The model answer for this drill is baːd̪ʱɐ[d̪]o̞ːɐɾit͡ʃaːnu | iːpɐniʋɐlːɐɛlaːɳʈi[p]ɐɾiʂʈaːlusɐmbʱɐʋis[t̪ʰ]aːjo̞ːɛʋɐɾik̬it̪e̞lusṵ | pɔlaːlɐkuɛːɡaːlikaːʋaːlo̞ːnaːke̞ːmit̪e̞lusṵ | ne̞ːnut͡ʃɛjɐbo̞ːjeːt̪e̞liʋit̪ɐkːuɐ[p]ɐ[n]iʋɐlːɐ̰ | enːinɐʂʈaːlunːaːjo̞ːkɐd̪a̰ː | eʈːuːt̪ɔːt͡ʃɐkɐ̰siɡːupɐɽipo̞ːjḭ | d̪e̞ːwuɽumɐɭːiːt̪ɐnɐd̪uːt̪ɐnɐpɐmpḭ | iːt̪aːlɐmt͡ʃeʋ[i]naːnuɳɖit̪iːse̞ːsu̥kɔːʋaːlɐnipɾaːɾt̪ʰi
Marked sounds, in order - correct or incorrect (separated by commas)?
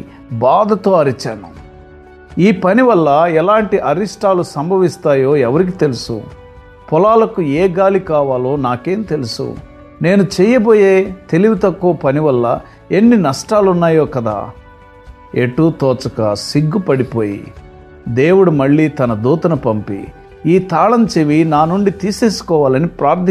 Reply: incorrect, incorrect, incorrect, correct, correct, correct